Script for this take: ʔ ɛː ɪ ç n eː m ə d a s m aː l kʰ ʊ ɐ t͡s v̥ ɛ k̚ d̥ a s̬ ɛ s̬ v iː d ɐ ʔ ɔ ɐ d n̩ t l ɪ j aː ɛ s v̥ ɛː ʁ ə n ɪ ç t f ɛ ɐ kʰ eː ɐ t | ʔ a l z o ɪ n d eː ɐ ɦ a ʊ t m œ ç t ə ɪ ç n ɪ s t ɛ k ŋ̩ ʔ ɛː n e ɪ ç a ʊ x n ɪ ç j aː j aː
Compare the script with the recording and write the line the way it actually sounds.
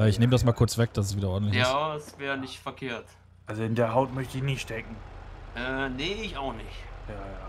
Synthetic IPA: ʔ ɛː ɪ ç n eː m ə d a s m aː l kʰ ʊ ɐ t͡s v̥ ɛ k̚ d̥ a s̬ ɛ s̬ v iː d ɐ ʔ ɔ ɐ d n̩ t l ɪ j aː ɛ s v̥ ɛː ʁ ə n ɪ ç t f ɛ ɐ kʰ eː ɐ t | ʔ a l z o ɪ n d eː ɐ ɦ a ʊ t m œ ç t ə ɪ ç n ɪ ʃ t ɛ k ŋ̩ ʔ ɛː n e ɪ ç a ʊ x n ɪ ç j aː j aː